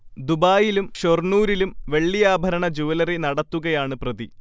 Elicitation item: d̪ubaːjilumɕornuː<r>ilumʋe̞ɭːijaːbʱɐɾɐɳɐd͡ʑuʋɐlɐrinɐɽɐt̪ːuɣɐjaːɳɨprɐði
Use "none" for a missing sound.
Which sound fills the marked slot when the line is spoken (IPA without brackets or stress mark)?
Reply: ɾ